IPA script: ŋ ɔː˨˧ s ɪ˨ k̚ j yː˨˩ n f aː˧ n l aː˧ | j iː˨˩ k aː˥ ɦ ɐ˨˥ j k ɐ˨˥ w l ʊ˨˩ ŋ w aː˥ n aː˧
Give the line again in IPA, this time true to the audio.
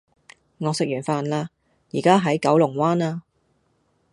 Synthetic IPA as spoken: ŋ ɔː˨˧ s ɪ˨ k̚ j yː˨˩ n f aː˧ n l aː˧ | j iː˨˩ k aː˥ ɦ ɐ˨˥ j k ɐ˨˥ w l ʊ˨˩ ŋ w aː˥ n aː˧